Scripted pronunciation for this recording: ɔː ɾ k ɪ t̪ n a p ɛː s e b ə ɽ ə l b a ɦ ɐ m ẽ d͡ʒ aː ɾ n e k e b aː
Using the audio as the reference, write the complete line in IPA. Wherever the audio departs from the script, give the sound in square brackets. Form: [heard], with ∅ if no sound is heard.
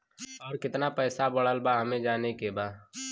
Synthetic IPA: ɔː ɾ k ɪ t̪ n a p ɛː s [a] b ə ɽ ə l b a ɦ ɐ m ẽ d͡ʒ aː [∅] n e k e b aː